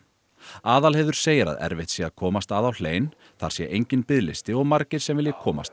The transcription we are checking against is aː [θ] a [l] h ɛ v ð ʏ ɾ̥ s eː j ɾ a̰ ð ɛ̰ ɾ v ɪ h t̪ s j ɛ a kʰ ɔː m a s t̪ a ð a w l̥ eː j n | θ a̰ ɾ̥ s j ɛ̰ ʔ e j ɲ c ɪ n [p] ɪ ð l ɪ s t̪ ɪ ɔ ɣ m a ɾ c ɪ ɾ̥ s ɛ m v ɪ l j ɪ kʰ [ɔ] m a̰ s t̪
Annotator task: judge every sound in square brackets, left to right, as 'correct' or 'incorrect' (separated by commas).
incorrect, correct, correct, incorrect